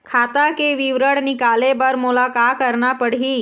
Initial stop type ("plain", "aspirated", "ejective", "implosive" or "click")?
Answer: aspirated